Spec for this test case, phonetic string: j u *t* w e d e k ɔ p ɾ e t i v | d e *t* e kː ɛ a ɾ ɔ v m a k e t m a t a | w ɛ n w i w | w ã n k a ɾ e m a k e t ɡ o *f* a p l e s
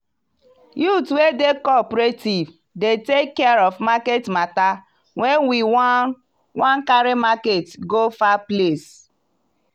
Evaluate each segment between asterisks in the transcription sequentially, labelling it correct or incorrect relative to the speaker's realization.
correct, correct, correct

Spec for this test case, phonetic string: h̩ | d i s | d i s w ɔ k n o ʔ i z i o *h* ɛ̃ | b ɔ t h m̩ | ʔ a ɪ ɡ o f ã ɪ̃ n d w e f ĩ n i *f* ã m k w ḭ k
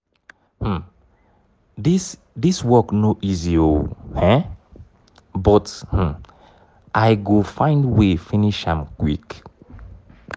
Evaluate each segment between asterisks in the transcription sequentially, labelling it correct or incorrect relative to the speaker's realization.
correct, incorrect

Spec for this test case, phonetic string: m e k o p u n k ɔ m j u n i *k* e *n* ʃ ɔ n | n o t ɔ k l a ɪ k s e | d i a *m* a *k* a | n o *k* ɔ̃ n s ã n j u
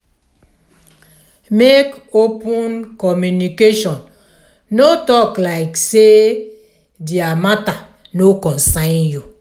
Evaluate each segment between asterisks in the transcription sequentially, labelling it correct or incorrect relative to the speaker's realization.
correct, incorrect, correct, incorrect, correct

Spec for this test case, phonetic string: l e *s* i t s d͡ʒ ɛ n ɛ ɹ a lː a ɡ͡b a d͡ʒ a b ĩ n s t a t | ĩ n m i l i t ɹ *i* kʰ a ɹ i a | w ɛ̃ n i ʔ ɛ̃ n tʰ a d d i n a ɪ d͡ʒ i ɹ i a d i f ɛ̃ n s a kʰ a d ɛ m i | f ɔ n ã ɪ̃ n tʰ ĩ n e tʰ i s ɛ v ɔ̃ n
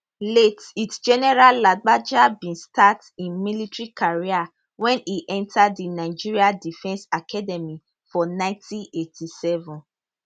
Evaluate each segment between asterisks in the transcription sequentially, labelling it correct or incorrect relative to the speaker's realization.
incorrect, correct

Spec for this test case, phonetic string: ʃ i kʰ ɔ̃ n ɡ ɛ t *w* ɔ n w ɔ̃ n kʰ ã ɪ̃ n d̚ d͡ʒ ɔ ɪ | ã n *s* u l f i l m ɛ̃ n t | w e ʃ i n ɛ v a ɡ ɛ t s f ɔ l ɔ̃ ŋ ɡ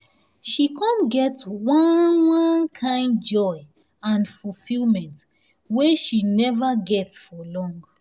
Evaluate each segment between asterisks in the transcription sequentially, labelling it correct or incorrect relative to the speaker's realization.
correct, incorrect

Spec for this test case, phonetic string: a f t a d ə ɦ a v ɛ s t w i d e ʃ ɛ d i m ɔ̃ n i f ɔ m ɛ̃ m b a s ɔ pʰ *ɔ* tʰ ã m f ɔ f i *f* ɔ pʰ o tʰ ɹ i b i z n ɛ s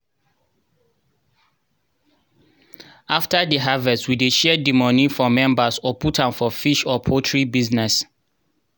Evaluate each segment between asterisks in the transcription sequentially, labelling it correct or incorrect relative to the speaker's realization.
incorrect, incorrect

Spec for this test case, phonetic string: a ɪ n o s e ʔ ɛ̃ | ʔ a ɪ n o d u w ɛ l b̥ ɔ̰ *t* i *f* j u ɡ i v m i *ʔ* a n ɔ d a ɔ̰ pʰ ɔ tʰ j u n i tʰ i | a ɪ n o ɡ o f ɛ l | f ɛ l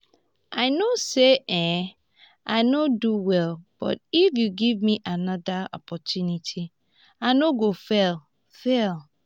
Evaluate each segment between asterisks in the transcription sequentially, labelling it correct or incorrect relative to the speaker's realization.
correct, correct, correct

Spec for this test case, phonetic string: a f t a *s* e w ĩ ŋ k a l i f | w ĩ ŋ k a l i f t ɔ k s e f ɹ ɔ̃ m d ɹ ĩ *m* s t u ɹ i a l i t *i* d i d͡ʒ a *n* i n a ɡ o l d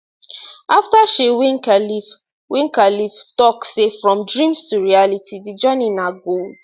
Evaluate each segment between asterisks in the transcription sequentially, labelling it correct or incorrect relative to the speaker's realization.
incorrect, correct, correct, correct

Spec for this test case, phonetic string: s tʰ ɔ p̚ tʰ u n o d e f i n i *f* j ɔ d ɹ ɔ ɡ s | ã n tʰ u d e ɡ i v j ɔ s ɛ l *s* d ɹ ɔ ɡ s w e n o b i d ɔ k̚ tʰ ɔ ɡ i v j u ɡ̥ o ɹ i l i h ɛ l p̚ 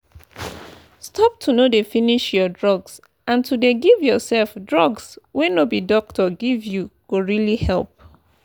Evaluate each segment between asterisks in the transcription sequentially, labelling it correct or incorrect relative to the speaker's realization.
incorrect, incorrect

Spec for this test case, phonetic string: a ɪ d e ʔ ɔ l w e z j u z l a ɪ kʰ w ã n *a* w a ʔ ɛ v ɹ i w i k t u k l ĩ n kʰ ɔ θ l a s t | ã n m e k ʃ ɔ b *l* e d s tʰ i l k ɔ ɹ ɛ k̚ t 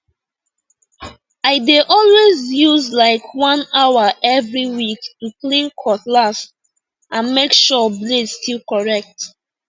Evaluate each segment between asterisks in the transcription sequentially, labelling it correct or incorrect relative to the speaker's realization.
correct, correct

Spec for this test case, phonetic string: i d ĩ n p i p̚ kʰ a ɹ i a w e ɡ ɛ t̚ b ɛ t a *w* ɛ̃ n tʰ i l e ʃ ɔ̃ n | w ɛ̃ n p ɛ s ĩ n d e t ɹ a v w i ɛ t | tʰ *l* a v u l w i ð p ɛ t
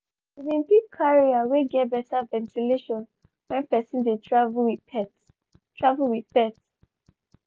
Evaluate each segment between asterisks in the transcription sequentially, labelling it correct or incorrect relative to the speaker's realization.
incorrect, incorrect

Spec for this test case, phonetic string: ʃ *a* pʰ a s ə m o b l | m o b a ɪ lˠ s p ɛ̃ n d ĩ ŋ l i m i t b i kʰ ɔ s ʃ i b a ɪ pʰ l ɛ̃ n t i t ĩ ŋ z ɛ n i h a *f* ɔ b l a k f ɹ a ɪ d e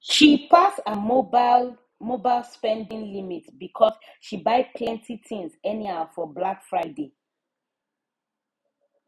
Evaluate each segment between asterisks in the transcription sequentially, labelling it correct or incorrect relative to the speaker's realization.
incorrect, correct

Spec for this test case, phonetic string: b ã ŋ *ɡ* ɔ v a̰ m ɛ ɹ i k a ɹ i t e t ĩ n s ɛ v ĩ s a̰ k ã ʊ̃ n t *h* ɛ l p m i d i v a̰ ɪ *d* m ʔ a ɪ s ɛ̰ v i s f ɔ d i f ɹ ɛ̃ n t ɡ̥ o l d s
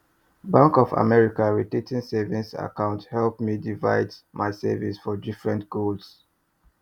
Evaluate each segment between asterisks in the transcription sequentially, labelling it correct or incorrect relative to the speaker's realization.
incorrect, correct, correct

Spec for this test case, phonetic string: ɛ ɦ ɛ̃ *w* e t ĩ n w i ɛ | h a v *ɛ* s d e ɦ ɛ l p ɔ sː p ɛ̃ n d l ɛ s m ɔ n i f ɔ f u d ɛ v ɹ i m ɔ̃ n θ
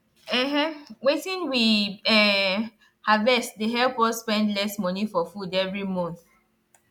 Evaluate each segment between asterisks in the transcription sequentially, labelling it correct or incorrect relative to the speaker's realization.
correct, correct

